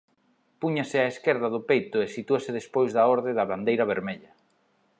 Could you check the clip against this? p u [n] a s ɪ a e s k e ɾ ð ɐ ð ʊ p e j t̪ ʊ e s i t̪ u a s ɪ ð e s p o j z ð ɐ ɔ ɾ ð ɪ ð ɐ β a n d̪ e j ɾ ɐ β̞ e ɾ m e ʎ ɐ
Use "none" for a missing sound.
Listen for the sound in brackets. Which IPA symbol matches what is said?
ɲ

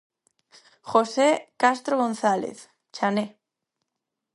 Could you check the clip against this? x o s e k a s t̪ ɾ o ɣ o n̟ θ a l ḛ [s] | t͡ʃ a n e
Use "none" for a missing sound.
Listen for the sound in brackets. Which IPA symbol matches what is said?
θ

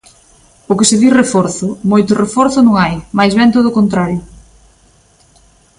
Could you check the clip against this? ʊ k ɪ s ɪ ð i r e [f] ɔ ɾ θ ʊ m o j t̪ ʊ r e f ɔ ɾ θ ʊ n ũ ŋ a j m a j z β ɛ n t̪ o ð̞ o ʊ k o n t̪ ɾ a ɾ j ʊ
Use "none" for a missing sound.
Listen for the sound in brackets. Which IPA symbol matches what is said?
f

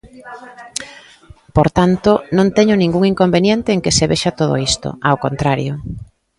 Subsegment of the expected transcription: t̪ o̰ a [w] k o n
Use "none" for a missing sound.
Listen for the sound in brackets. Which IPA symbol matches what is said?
w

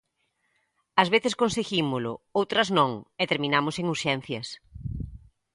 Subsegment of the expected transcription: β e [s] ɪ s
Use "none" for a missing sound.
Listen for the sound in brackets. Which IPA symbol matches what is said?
θ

